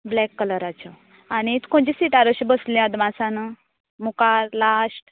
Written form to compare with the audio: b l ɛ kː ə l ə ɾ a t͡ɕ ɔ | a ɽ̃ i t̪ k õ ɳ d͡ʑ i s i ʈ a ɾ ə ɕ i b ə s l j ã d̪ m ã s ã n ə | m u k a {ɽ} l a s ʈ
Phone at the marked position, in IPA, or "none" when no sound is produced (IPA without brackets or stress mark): ɾ